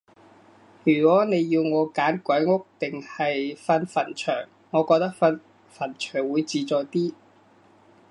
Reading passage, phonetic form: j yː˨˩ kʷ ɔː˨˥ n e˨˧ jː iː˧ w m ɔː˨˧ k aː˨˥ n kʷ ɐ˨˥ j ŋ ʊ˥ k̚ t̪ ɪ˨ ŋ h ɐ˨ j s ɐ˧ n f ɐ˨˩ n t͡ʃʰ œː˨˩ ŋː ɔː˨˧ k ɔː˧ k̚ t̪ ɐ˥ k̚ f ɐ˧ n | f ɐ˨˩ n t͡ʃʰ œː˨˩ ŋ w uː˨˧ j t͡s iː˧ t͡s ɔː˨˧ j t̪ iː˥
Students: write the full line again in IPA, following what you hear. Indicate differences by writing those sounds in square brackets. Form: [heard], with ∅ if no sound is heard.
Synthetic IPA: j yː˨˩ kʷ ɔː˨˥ n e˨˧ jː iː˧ w [ŋ] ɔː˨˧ k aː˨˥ n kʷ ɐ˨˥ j ŋ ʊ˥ k̚ t̪ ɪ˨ ŋ h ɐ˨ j [f] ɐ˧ n f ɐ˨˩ n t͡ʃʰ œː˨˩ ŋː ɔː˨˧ k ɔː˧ k̚ t̪ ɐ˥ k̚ f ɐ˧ n | f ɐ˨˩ n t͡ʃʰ œː˨˩ ŋ w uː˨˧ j t͡s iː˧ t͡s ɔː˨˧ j t̪ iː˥

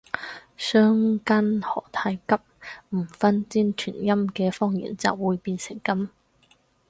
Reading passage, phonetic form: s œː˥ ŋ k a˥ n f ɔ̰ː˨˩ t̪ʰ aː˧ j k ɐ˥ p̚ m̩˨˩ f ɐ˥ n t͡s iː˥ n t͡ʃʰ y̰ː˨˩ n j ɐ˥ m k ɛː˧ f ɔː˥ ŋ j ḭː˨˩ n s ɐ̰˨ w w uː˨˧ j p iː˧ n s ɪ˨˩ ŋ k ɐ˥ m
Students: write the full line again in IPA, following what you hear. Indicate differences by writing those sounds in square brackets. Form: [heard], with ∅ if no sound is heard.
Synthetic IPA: s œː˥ ŋ k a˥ n [h] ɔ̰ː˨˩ t̪ʰ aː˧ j k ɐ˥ p̚ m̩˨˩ f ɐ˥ n t͡s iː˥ n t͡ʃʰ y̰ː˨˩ n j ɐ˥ m k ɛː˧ f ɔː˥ ŋ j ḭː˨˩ n [t͡s] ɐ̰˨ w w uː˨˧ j p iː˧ n s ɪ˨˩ ŋ k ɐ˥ m

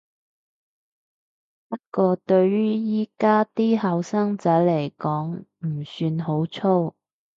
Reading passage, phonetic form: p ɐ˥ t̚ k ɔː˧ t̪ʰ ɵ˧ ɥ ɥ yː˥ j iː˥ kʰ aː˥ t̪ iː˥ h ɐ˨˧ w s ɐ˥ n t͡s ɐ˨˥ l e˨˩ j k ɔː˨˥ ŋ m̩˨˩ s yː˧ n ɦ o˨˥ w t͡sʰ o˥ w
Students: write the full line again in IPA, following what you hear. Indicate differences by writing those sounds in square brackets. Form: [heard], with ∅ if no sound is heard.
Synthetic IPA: p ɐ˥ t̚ k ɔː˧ [t̪] ɵ˧ ɥ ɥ yː˥ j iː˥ [k] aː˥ t̪ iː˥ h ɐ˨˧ w s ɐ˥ [ŋ] t͡s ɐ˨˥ l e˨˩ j k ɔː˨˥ ŋ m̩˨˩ s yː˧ n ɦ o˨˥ w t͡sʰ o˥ w

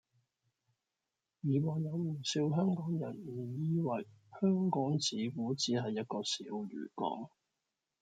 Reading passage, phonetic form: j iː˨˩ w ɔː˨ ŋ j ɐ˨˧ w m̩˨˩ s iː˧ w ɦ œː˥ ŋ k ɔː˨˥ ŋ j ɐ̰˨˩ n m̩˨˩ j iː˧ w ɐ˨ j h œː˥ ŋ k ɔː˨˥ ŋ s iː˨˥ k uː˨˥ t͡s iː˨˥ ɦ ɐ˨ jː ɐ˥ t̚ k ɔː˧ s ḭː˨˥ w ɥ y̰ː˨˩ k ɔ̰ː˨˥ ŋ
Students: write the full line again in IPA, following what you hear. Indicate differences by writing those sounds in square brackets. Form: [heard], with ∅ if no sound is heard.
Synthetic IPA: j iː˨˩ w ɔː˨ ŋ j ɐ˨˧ w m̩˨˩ s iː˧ w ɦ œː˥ ŋ k ɔː˨˥ ŋ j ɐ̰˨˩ n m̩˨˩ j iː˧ w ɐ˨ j h œː˥ ŋ k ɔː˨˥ ŋ [t͡s] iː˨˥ k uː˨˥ t͡s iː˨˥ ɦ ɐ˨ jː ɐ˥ t̚ k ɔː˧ s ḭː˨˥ w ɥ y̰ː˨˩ k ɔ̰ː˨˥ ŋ

